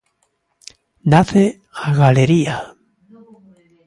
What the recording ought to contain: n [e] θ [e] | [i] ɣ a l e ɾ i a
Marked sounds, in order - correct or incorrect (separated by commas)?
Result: incorrect, correct, incorrect